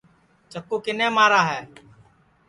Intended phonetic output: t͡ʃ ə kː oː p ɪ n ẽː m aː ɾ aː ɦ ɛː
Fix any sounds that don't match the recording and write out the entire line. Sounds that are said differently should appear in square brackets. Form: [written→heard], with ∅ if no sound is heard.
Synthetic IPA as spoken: t͡ʃ ə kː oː [p→k] ɪ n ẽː m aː ɾ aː ɦ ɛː